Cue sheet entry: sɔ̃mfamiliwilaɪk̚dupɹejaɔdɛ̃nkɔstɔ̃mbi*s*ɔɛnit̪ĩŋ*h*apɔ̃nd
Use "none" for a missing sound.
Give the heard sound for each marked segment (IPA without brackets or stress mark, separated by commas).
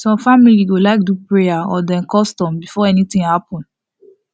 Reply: f, h